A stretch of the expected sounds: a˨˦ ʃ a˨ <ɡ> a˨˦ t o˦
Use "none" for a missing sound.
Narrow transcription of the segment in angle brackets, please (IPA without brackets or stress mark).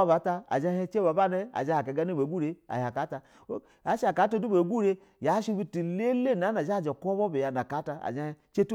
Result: k